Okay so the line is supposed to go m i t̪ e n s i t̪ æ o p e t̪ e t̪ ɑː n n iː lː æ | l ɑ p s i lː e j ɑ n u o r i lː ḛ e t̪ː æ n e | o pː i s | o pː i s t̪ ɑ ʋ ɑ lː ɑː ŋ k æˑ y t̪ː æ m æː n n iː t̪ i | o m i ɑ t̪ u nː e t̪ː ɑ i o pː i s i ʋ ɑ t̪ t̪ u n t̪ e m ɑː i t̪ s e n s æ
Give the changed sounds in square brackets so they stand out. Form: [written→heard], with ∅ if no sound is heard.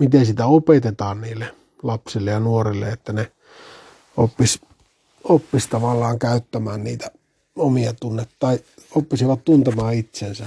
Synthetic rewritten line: m i t̪ e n s i t̪ æ o p e t̪ e t̪ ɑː n n iː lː [æ→e] | l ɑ p s i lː e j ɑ n u o r i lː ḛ e t̪ː æ n e | o pː i s | o pː i s t̪ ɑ ʋ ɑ lː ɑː ŋ k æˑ y t̪ː æ m æː n n iː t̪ [i→æ] | o m i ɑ t̪ u nː e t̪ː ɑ i o pː i s i ʋ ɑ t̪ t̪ u n t̪ e m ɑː i t̪ s e n s æ